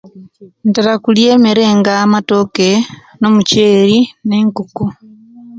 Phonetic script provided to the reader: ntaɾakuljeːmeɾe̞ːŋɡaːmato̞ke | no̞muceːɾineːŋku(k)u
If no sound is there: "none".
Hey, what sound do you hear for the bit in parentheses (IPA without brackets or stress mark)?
k